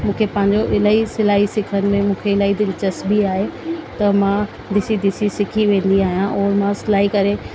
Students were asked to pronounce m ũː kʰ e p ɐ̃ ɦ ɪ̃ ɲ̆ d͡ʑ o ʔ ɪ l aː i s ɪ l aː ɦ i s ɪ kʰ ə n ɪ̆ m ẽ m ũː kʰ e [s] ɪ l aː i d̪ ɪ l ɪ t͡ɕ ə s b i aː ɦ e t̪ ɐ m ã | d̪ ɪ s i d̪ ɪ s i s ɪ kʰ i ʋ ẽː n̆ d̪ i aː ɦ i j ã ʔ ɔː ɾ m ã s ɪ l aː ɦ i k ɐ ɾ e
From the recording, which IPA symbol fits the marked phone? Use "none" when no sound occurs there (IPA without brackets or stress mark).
none